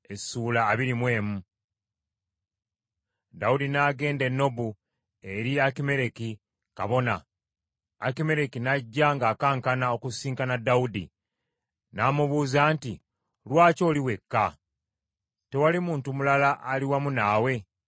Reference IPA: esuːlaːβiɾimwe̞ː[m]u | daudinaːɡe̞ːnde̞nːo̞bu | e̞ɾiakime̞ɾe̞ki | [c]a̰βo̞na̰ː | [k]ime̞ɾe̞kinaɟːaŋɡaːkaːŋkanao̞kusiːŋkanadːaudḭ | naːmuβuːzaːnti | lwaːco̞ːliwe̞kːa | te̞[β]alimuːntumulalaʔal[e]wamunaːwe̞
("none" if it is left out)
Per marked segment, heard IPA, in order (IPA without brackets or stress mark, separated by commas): m, k, k, w, i